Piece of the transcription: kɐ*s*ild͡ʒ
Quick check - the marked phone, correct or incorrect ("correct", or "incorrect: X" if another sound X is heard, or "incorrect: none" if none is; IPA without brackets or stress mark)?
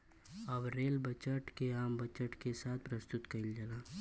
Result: incorrect: none